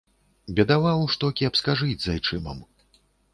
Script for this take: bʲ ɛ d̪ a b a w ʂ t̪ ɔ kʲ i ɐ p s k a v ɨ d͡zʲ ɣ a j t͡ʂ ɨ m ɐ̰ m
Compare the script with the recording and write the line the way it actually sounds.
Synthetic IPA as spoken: bʲ ɛ d̪ a v a w ʂ t̪ ɔ kʲ i ɐ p s k a ʐ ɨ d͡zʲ z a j t͡ʂ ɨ m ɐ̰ m